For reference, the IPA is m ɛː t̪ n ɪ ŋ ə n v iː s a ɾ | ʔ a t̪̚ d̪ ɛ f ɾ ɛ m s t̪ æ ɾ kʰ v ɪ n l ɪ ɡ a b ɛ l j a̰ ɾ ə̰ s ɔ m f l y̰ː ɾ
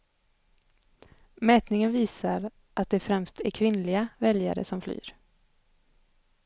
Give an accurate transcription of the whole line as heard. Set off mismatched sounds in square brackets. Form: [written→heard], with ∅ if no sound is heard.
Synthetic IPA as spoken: m ɛː t̪ n ɪ ŋ ə n v iː s a ɾ | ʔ a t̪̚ d̪ ɛ f ɾ ɛ m s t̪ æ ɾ kʰ v ɪ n l ɪ ɡ a [b→v] ɛ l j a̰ ɾ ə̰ s ɔ m f l y̰ː ɾ

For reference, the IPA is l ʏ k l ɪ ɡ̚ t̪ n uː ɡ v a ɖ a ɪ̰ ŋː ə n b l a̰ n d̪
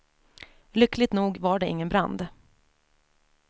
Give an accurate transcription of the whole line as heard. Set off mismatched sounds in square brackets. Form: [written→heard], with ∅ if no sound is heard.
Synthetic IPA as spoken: l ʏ k l ɪ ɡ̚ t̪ n uː ɡ v a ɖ [a→ɛ] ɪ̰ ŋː ə n b [l→ɾ] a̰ n d̪

